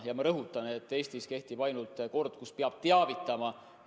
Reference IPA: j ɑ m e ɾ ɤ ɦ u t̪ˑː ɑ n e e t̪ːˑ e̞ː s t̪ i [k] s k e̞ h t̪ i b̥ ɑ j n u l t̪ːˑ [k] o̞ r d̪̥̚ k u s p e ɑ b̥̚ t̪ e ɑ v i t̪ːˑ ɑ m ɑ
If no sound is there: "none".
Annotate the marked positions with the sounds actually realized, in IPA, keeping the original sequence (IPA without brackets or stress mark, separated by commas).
none, k